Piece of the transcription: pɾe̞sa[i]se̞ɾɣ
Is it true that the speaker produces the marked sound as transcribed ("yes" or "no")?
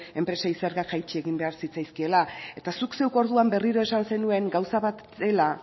yes